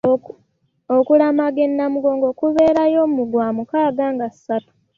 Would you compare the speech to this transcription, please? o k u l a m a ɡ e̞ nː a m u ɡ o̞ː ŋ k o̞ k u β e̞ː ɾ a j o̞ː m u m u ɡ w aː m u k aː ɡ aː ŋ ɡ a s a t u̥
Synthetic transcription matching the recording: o k u l a m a ɡ e̞ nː a m u ɡ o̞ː ŋ ɡ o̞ k u β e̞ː ɾ a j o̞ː m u m u ɡ w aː m u k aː ɡ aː ŋ ɡ a s a t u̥